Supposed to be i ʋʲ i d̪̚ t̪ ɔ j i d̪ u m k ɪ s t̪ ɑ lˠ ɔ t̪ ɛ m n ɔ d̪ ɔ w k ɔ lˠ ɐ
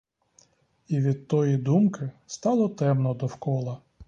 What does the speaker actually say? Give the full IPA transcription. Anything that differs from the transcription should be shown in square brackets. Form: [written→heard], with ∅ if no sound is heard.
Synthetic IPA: i ʋʲ i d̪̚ t̪ ɔ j i d̪ u m k ɪ s t̪ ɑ lˠ ɔ t̪ ɛ m n ɔ d̪ ɔ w k ɔ lˠ ɐ